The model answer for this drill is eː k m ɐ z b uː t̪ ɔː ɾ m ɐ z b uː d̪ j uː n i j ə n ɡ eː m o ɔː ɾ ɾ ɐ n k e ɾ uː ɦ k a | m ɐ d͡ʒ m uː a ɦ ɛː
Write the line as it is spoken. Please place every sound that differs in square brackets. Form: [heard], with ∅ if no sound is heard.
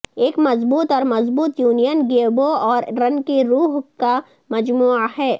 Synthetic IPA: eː k m ɐ z b uː t̪ ɔː ɾ m ɐ z b uː [t̪] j uː n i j ə n ɡ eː [b] o ɔː ɾ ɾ ɐ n k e ɾ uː ɦ k a | m ɐ d͡ʒ m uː a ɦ ɛː